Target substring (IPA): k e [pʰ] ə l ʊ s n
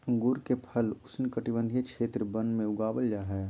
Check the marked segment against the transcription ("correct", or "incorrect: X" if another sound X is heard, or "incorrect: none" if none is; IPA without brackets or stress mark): correct